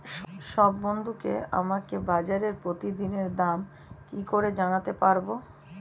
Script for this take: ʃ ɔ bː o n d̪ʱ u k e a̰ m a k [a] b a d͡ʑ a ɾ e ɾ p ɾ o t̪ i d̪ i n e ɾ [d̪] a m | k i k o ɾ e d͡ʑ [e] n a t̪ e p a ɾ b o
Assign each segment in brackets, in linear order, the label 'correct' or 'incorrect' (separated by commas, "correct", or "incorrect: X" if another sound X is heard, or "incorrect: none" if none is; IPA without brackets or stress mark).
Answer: incorrect: e, correct, incorrect: a